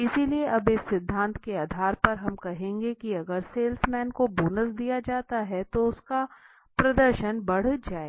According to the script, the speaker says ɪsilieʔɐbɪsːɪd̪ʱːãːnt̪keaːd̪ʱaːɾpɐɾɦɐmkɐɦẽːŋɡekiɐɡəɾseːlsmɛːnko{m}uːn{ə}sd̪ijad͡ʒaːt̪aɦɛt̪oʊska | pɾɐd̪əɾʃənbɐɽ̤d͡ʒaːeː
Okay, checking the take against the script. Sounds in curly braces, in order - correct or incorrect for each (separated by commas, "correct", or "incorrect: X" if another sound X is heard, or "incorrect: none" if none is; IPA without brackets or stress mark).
incorrect: b, correct